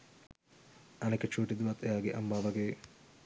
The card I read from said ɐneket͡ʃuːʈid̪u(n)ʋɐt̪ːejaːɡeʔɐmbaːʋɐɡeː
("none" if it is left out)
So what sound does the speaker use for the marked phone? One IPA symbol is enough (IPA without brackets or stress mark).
none